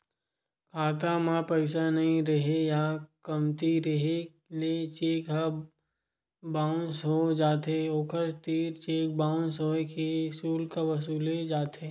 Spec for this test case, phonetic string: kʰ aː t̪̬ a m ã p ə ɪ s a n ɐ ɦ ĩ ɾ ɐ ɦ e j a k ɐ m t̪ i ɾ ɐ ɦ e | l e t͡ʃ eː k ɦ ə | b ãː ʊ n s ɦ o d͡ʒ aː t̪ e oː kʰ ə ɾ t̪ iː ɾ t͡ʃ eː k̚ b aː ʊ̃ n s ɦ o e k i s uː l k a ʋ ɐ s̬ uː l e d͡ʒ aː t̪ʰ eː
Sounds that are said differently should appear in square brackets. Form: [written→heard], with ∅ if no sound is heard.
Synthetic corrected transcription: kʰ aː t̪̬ a m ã p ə ɪ s a n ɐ ɦ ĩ ɾ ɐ ɦ e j a k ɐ m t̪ i ɾ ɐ ɦ e | l e t͡ʃ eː k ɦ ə | b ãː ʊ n s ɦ o d͡ʒ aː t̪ e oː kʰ ə ɾ t̪ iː ɾ t͡ʃ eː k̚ b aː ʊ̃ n s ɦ o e k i s uː l k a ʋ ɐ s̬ uː l e d͡ʒ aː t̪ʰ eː

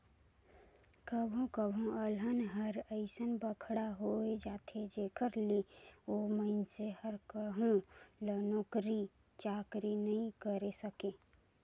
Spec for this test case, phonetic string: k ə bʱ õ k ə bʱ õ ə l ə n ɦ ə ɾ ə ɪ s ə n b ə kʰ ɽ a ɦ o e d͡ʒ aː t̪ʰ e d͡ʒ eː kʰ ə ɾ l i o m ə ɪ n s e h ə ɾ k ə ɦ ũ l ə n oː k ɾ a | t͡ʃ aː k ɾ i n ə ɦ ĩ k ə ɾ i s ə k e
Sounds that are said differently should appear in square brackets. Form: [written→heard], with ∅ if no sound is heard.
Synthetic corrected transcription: k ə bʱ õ k ə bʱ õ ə l ə n ɦ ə ɾ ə ɪ s ə n b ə kʰ ɽ a ɦ o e d͡ʒ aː t̪ʰ e d͡ʒ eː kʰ ə ɾ l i o m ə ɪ n s e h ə ɾ k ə ɦ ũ l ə n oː k ɾ [a→i] | t͡ʃ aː k ɾ i n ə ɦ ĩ k ə ɾ [i→e] s ə k e

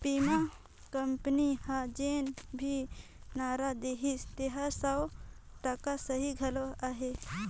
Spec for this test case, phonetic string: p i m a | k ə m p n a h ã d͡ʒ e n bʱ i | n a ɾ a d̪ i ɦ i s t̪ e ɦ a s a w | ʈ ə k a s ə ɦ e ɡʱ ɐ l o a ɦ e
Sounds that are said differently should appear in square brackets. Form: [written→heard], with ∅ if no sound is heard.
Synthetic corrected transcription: p i m a | k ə m p n [a→i] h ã d͡ʒ e n bʱ i | n a ɾ a d̪ [i→e] ɦ i s t̪ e ɦ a s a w | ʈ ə k a s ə ɦ [e→i] ɡʱ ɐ l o a ɦ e

